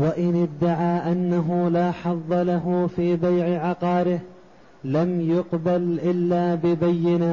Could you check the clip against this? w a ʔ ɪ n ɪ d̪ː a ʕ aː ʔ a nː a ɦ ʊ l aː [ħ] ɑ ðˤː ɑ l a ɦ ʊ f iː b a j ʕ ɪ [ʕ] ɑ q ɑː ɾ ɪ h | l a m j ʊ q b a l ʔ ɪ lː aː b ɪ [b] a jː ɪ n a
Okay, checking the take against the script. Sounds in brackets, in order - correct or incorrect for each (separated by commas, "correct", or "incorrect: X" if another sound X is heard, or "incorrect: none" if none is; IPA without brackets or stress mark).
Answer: correct, correct, correct